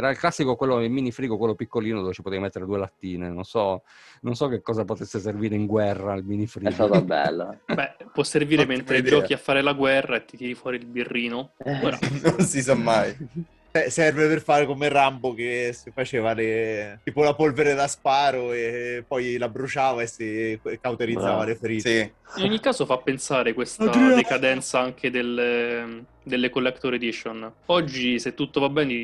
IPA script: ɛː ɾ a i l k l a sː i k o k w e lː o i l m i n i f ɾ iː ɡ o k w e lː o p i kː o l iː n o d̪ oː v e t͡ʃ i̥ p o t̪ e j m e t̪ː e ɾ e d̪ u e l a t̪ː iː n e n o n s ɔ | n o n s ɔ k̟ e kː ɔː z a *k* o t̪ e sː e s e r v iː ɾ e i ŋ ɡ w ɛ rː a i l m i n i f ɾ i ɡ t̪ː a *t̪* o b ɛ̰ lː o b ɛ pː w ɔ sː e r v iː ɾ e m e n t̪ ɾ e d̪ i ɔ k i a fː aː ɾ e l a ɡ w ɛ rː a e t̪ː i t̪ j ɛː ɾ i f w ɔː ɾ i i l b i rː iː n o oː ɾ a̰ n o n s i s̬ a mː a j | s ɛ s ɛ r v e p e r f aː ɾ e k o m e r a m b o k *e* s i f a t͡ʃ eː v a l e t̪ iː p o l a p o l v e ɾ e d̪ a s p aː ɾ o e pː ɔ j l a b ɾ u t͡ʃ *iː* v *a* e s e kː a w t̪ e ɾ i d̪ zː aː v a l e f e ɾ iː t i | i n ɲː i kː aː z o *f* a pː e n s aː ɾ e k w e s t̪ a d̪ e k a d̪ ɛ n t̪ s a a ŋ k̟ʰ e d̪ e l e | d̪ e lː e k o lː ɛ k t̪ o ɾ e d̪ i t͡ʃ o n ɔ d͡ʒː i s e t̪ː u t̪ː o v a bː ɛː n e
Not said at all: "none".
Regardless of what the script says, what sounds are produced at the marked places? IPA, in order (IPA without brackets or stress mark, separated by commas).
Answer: p, t̪, e, aː, a, f